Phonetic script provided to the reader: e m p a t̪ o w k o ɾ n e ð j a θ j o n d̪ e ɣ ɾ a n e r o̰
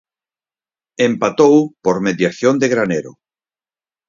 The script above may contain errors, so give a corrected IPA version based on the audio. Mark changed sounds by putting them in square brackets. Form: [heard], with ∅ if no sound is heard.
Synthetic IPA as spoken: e m p a t̪ o w [p] o ɾ [m] e ð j a θ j o n d̪ e ɣ ɾ a n e [ɾ] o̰